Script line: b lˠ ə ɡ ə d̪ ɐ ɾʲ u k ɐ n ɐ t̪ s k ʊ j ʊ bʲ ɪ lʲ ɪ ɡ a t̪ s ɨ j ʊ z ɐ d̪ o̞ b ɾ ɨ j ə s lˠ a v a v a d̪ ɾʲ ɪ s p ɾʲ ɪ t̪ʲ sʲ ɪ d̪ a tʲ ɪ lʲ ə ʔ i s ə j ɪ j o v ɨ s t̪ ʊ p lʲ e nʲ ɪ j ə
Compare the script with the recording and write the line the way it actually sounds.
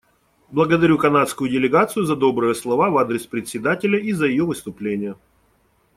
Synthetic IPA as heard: b lˠ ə ɡ ə d̪ ɐ ɾʲ u k ɐ n a t̪ s k ʊ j ʊ dʲ ɪ lʲ ɪ ɡ a t̪ s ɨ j ʊ z ɐ d̪ o̞ b ɾ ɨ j ə s lˠ ɐ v a v a d̪ ɾʲ ɪ s p ɾʲ ɪ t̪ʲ sʲ ɪ d̪ a tʲ ɪ lʲ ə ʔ i z ə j ɪ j o v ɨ s t̪ ʊ p lʲ e nʲ ɪ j ə